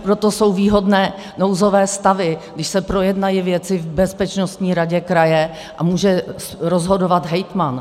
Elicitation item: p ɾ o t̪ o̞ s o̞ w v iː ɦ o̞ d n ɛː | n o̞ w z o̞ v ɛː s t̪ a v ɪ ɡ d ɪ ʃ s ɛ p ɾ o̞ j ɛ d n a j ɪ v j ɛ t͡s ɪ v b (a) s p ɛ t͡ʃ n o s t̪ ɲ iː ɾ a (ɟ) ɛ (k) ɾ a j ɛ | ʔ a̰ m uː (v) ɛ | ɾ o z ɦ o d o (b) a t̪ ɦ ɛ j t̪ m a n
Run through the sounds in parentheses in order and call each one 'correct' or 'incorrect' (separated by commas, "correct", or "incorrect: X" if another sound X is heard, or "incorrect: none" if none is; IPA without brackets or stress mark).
incorrect: ɛ, correct, correct, incorrect: ʒ, incorrect: v